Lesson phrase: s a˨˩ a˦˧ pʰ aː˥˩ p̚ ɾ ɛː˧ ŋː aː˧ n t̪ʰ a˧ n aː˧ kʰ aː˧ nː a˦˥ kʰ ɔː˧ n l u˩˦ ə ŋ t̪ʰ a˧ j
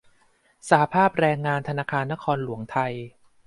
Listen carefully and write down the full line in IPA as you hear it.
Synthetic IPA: s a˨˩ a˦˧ pʰ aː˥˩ p̚ ɾ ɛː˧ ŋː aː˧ n t̪ʰ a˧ n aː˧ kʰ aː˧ nː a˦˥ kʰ ɔː˧ n l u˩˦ ə ŋ t̪ʰ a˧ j